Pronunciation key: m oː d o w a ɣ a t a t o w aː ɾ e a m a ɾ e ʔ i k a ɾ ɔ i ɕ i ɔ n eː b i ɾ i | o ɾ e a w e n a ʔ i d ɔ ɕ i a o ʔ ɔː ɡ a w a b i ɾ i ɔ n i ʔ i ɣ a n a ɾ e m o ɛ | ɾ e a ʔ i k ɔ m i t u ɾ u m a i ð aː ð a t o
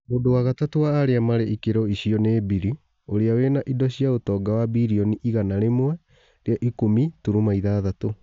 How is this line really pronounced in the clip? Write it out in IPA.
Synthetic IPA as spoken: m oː d o w a ɣ a t a t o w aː ɾ e a m a ɾ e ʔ i k e ɾ ɔ i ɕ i ɔ n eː b i ɾ i | o ɾ e a w e n a ʔ i d ɔ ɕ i a o t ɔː ɡ a w a b i ɾ i ɔ n i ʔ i ɣ a n a ɾ e m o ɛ | ɾ e a ʔ i k o m i t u ɾ u m a i ð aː ð a t o